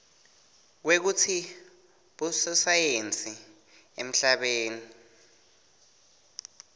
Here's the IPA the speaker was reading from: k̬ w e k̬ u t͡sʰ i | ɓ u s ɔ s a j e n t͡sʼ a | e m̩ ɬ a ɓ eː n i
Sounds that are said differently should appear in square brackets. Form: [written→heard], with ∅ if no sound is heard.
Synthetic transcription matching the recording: k̬ w e k̬ u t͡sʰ i | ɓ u s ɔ s a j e n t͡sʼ [a→i] | e m̩ ɬ a ɓ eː n i